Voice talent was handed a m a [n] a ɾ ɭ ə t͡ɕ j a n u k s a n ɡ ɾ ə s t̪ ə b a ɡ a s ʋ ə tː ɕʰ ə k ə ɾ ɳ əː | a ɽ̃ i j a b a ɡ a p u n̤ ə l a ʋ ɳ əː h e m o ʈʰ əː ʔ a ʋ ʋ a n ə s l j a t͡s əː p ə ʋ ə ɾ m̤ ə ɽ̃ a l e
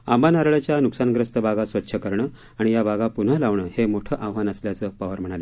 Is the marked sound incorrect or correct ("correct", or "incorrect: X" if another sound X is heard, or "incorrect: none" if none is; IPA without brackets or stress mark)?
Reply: correct